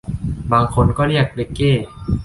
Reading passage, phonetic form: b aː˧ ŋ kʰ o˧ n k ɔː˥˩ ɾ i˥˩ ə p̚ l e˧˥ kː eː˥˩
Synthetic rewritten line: b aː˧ ŋ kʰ o˧ n k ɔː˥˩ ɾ i˥˩ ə k̚ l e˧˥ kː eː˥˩